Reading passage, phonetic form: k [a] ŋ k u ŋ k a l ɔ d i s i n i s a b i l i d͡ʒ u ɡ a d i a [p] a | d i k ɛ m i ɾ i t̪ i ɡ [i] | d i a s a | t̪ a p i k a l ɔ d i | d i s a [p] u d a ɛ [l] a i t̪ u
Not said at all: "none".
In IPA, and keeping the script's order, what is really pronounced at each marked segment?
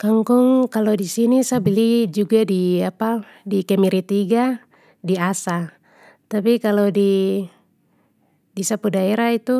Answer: a, p, a, p, ɾ

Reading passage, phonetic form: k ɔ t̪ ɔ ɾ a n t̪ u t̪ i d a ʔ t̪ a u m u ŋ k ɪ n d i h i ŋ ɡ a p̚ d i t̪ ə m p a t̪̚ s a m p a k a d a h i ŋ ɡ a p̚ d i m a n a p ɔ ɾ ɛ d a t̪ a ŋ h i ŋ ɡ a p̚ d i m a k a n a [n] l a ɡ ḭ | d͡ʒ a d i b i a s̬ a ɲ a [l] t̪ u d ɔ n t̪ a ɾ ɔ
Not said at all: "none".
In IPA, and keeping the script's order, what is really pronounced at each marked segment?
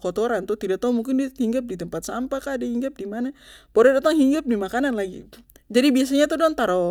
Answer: n, none

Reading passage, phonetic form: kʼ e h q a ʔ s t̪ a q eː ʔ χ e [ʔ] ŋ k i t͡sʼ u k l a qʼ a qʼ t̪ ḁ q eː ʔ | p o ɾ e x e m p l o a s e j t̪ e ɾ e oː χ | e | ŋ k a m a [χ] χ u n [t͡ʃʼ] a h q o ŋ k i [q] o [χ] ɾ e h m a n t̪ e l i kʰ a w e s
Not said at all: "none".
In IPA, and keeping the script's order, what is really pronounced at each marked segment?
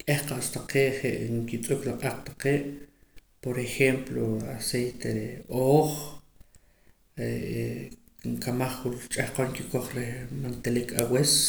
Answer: ʔ, χ, t͡ʃʼ, k, χ

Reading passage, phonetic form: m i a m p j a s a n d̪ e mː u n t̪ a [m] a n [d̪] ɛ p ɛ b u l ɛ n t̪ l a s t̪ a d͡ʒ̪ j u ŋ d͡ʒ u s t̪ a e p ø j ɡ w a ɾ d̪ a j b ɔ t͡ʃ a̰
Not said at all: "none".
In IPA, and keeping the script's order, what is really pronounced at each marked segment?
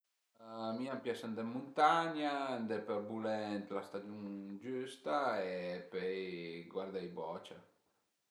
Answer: ɲ, d̪

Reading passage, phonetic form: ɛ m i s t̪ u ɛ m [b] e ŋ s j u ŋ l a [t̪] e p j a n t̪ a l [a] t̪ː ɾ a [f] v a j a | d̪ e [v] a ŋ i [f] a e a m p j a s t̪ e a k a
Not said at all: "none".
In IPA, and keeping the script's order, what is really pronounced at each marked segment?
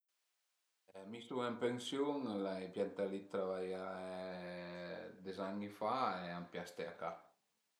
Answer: p, none, i, none, z, f

